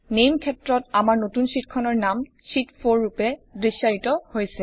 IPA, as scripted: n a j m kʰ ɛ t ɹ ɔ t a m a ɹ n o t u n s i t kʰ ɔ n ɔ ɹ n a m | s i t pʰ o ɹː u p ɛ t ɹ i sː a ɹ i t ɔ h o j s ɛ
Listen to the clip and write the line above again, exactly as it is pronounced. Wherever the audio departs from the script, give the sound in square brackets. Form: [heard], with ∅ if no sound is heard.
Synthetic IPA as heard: n [e] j m kʰ ɛ t ɹ ɔ t a m a ɹ n o t u n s i t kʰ ɔ n ɔ ɹ n a m | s i t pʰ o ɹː u p ɛ [d] ɹ i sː a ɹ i t ɔ h o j s ɛ